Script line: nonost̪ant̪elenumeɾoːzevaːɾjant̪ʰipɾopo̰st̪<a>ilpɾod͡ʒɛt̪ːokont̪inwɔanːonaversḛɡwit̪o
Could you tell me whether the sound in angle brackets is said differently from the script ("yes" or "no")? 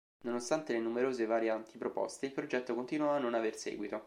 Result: yes